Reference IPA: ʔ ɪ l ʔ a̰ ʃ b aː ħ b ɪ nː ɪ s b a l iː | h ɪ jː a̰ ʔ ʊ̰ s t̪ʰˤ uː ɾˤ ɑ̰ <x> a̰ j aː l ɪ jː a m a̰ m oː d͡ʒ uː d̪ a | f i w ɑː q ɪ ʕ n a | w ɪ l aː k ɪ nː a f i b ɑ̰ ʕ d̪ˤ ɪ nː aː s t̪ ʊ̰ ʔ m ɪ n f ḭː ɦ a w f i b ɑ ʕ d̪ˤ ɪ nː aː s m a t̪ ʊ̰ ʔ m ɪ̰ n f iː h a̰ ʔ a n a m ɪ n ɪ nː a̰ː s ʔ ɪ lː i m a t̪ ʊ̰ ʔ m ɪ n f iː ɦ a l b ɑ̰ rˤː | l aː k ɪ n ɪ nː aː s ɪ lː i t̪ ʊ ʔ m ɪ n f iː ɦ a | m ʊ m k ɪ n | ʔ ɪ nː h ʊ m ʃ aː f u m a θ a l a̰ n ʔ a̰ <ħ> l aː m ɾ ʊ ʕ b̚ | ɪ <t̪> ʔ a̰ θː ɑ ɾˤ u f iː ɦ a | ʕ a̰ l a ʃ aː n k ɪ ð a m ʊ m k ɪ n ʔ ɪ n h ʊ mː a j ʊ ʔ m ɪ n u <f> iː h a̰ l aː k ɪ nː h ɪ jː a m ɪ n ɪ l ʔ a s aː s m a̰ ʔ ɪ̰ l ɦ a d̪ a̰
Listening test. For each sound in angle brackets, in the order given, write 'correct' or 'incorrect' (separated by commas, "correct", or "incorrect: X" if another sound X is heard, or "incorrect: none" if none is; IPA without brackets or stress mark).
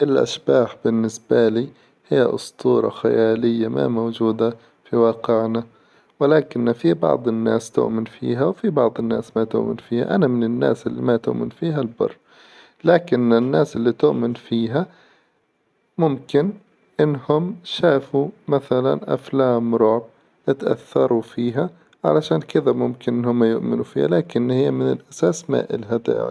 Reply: correct, incorrect: f, correct, correct